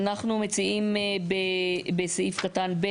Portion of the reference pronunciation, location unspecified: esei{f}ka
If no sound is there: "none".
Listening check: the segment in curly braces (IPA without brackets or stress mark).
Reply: f